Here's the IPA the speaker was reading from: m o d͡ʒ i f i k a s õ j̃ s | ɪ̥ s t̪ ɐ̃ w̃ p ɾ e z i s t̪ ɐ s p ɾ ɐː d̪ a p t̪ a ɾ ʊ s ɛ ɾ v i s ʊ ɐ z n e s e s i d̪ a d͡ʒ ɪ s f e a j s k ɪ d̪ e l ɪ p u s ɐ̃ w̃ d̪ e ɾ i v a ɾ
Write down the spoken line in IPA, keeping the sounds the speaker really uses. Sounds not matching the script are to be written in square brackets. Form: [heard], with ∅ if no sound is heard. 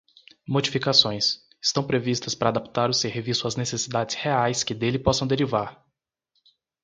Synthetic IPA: m o d͡ʒ i f i k a s õ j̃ s | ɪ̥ s t̪ ɐ̃ w̃ p ɾ e [v] i s t̪ ɐ s p ɾ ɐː d̪ a p t̪ a ɾ ʊ s [e] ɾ v i s ʊ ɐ z n e s e s i d̪ a d͡ʒ ɪ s [h] e a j s k ɪ d̪ e l ɪ p [ɔ] s ɐ̃ w̃ d̪ e ɾ i v a ɾ